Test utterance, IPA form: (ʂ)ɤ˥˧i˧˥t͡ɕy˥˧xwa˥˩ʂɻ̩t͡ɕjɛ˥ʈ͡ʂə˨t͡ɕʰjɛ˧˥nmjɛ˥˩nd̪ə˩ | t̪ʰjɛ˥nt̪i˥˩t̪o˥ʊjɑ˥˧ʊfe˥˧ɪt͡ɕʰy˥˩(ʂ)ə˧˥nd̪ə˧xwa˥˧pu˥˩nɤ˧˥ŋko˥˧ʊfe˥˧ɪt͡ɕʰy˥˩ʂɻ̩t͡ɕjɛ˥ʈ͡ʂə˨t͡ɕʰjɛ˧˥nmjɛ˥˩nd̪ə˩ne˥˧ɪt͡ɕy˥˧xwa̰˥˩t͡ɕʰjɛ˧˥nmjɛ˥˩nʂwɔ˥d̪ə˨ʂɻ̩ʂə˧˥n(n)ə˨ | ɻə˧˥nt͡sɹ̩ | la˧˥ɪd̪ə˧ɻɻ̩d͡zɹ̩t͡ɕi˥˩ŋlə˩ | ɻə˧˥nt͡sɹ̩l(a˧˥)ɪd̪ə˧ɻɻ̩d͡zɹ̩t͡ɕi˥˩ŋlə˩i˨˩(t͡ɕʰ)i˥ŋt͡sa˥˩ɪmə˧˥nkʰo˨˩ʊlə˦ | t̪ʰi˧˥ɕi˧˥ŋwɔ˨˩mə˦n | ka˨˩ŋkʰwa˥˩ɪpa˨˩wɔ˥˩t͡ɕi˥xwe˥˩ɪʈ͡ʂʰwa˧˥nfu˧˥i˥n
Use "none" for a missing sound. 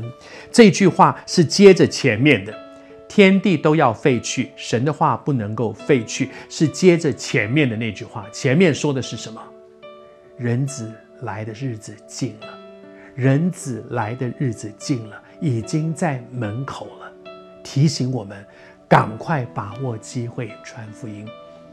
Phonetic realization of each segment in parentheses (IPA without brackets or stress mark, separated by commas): ʈ͡ʂ, ʂ, m, a˧˥, t͡ɕ